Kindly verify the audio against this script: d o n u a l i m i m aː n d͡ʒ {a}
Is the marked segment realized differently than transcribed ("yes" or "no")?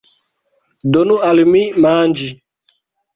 yes